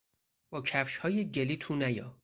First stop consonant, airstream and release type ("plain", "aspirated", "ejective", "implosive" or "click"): plain